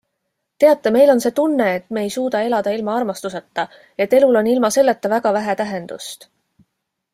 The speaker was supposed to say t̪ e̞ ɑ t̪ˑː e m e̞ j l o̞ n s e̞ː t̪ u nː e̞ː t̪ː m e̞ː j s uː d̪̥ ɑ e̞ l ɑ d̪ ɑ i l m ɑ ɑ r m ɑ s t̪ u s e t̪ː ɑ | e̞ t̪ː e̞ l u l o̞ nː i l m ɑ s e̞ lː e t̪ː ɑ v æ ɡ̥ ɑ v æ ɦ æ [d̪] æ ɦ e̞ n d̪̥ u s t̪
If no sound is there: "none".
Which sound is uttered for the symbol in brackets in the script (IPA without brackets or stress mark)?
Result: t̪